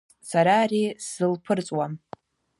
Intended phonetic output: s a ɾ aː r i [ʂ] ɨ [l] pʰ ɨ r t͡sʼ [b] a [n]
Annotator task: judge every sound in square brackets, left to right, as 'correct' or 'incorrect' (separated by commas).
incorrect, correct, incorrect, incorrect